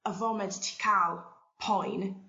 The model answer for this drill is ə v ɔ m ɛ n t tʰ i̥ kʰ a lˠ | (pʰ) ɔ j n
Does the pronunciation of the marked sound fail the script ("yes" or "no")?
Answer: no